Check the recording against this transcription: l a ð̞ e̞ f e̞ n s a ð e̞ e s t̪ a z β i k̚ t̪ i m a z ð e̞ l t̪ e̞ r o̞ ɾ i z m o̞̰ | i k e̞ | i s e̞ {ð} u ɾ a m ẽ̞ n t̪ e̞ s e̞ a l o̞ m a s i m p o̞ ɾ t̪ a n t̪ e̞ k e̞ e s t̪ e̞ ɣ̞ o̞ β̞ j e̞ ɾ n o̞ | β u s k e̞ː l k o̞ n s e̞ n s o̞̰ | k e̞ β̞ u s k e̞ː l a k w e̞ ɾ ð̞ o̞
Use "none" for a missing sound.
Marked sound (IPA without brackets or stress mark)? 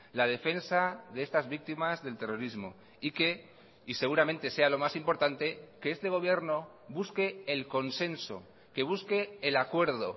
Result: ɣ